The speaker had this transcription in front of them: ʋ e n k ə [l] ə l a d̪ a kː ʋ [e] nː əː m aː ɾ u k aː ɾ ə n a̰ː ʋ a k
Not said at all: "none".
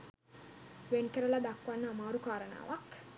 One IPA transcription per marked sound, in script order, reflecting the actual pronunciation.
ɾ, a

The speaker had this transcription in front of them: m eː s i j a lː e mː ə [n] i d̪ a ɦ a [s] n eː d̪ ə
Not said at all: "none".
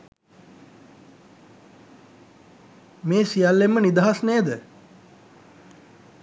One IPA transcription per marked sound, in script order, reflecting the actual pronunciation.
n, s

